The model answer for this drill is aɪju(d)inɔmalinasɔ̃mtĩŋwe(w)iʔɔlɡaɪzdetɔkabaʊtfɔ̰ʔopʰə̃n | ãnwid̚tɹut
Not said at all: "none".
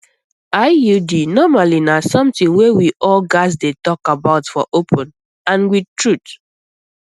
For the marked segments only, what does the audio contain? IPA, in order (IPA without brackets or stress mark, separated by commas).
d, w